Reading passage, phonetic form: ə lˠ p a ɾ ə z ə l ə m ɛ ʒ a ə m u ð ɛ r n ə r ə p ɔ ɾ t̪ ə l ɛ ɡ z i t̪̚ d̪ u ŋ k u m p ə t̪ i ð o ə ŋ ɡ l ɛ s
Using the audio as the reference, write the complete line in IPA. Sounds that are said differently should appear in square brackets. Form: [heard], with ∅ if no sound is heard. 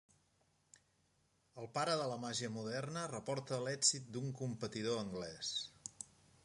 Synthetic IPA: ə lˠ p a ɾ ə [ð] ə l ə m [a] ʒ [i] ə m u ð ɛ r n ə r ə p ɔ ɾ t̪ ə l ɛ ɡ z i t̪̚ d̪ u ŋ k u m p ə t̪ i ð o ə ŋ ɡ l ɛ s

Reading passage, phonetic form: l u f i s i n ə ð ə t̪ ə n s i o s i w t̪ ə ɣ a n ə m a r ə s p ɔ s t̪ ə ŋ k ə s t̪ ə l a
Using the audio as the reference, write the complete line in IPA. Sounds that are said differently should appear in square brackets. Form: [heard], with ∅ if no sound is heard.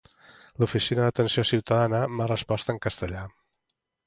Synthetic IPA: l u f i s i n ə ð ə t̪ ə n s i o s i w t̪ ə [ð] a n ə m a r ə s p ɔ s t̪ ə ŋ k ə s t̪ ə [ʎ] a

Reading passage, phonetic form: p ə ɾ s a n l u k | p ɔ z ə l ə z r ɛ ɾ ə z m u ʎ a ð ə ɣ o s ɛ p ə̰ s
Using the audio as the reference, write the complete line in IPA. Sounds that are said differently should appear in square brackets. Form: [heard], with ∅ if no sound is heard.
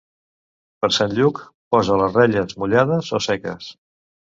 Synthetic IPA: p ə ɾ s a n [ʎ] u k | p ɔ z ə l ə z r ɛ [ʎ] ə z m u ʎ a ð ə [z] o s ɛ [k] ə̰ s

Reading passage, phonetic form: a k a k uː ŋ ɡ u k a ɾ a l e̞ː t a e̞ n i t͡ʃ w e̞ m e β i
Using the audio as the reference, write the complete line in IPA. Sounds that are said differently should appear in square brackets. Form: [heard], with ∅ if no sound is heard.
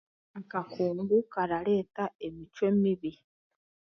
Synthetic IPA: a k a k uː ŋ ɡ u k a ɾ a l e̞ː t a e̞ [m] i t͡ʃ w e̞ m [i] β i

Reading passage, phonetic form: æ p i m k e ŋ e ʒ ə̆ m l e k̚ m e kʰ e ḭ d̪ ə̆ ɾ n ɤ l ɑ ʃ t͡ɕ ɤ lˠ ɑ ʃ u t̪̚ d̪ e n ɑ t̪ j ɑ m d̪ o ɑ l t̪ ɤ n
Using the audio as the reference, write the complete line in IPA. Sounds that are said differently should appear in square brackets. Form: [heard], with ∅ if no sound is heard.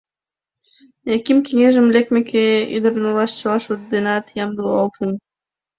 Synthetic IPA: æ [k] i m k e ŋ e ʒ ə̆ m l e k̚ m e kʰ e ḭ d̪ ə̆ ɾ n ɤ l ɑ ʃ t͡ɕ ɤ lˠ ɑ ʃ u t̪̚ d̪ e n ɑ t̪ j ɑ m d̪ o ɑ l t̪ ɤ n

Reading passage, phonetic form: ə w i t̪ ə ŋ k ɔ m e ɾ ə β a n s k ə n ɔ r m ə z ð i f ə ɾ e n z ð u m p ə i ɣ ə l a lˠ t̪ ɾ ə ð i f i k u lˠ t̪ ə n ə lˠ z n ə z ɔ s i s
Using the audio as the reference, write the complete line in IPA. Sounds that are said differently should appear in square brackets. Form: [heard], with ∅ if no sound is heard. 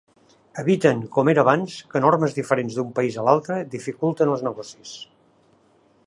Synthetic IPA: ə [β] i t̪ ə ŋ k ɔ m e ɾ ə β a n s k ə n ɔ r m ə z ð i f ə ɾ e n z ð u m p ə i [z] ə l a lˠ t̪ ɾ ə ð i f i k u lˠ t̪ ə n ə lˠ z n ə [ɣ] ɔ s i s

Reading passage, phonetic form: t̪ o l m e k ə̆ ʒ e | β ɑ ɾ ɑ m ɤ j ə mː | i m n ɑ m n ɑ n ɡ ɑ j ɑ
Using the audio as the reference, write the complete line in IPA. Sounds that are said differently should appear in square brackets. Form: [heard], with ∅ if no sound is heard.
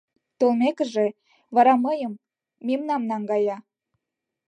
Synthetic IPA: t̪ o l m e k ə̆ ʒ e | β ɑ ɾ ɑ m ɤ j ə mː | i m n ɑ m n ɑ [ŋ] ɡ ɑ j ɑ

